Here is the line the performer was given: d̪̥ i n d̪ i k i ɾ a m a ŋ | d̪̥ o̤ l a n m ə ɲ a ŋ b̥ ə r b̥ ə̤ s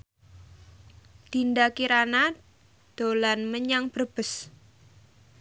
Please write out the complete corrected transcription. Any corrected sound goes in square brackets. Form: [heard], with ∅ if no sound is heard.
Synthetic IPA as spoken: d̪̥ i n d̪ [a] k i ɾ a [n] a [∅] | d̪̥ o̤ l a n m ə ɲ a ŋ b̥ ə r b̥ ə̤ s